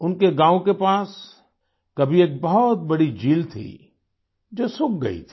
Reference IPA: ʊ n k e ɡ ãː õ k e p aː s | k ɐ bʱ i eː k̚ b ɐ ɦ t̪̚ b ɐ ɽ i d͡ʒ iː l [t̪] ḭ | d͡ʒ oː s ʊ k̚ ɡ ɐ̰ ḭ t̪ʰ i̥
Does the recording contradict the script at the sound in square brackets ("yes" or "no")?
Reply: yes